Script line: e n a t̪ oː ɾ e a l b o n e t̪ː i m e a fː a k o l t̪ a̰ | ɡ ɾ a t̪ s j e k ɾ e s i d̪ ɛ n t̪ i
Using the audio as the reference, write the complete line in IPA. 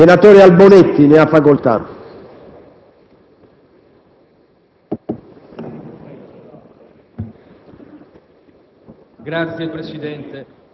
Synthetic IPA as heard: e n a t̪ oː ɾ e a l b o n e t̪ː i n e a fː a k o l t̪ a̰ | ɡ ɾ a t̪ s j e p ɾ e s i d̪ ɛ n t̪ e